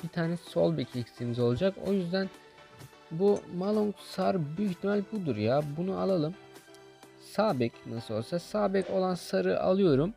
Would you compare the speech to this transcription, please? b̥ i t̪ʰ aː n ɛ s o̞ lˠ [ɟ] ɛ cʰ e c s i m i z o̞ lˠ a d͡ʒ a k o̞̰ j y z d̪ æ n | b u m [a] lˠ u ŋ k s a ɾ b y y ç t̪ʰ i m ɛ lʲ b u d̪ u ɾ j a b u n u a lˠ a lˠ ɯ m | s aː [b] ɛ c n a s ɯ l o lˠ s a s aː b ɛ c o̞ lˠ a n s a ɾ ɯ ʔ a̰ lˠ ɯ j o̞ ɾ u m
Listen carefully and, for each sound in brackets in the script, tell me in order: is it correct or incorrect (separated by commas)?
incorrect, correct, correct